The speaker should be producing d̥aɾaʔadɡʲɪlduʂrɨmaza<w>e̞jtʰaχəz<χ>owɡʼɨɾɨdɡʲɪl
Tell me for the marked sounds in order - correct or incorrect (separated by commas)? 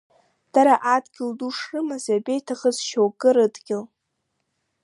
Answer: incorrect, incorrect